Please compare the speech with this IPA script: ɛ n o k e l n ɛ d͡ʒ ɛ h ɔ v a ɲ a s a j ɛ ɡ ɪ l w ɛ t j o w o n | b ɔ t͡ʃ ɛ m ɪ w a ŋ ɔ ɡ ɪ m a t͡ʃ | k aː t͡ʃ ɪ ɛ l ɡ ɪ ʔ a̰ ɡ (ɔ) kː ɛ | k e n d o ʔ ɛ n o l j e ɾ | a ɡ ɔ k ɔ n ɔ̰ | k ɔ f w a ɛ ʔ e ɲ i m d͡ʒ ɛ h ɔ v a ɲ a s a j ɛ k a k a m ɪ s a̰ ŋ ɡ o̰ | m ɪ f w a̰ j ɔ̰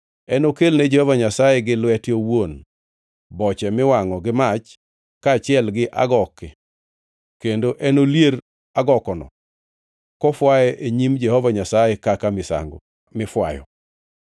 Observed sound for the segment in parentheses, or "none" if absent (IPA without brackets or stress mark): ɔ